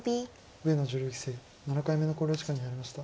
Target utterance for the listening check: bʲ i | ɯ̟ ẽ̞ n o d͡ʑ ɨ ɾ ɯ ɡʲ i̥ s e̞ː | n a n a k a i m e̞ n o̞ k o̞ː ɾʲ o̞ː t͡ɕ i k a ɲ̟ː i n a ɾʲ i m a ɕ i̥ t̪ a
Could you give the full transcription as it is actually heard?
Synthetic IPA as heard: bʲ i | ɯ̟ e̞ n o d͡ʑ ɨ ɾ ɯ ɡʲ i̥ s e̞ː | n a n a k a i m e̞ n o̞ k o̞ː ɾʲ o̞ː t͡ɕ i k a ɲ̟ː i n a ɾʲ i m a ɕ i̥ t̪ a